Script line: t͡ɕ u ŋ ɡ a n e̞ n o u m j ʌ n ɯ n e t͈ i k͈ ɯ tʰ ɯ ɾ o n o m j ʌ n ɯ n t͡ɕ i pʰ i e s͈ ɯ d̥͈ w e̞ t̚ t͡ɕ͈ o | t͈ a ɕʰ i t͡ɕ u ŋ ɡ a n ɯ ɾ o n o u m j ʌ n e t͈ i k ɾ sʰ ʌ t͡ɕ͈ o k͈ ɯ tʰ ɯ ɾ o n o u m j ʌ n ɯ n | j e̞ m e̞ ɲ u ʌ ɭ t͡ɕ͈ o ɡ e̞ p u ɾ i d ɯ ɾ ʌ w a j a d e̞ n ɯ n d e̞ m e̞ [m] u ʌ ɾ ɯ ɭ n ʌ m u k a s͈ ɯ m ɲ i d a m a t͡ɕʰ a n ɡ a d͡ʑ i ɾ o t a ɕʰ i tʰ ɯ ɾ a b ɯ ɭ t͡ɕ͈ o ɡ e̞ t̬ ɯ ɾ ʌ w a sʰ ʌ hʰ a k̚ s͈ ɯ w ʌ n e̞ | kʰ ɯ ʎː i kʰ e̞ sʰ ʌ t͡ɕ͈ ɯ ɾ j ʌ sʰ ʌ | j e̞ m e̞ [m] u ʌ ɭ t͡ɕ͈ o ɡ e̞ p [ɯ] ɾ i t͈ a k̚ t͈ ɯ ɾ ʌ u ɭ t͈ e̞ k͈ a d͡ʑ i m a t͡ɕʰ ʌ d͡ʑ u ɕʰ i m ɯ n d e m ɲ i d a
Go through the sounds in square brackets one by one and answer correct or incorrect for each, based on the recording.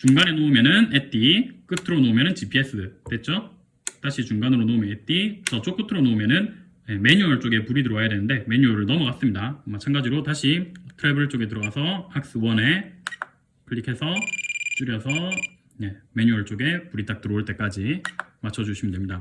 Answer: incorrect: ɲ, incorrect: ɲ, incorrect: u

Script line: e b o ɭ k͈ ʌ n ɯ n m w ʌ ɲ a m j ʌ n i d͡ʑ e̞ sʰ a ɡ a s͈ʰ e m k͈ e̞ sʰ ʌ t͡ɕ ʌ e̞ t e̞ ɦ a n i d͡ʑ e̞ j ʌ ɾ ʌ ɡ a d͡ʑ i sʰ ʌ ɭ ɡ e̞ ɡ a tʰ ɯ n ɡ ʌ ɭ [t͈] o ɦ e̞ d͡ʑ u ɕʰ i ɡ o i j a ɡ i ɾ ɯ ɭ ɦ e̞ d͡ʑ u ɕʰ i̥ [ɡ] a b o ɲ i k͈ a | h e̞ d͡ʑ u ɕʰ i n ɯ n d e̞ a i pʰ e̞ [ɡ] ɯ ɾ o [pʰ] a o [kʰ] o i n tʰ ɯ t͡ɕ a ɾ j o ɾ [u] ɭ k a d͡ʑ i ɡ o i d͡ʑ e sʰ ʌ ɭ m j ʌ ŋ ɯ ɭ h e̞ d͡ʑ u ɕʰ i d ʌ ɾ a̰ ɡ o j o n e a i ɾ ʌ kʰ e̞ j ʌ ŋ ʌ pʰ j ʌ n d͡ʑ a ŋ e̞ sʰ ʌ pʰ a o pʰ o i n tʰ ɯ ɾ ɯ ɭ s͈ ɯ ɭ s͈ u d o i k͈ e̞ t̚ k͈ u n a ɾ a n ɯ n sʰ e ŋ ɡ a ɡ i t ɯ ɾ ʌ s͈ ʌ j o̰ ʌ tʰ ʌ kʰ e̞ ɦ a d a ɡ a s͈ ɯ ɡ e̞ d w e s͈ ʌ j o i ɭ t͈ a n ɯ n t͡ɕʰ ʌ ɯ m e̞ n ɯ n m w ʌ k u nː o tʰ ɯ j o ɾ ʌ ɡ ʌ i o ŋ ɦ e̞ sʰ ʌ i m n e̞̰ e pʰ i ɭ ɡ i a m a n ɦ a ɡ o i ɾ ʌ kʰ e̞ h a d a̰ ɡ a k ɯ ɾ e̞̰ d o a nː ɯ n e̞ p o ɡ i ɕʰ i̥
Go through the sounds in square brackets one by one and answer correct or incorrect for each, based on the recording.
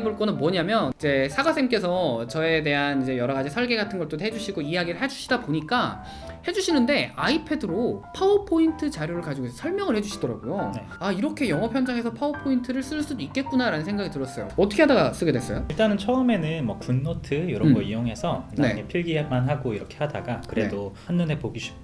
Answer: correct, incorrect: d, incorrect: d, correct, incorrect: pʰ, incorrect: ɯ

